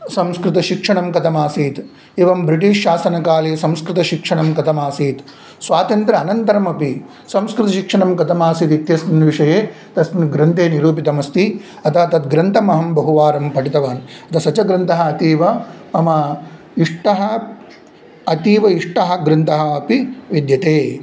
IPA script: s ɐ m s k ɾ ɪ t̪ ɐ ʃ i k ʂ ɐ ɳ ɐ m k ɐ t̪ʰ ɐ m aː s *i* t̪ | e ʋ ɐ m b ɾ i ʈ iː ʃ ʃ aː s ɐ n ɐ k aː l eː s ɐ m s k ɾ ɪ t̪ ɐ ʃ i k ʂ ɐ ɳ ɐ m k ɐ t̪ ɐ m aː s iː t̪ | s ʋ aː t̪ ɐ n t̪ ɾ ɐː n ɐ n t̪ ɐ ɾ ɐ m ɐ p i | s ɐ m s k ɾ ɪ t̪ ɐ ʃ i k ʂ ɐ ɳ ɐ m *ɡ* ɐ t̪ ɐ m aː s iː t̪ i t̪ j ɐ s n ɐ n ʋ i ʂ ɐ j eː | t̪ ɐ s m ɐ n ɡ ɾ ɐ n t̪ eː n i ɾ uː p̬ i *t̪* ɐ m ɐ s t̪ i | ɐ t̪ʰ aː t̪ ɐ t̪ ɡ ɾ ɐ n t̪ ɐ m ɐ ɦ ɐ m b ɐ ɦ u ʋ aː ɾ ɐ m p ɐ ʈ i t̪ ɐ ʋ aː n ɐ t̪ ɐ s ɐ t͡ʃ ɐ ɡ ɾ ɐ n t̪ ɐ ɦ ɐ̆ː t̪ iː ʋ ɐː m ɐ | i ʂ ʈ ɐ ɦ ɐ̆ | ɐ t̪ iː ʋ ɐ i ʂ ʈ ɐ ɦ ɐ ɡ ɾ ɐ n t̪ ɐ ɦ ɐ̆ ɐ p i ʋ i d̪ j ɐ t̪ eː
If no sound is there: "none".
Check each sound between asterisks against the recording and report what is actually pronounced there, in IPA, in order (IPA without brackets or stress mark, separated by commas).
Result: iː, k, t̪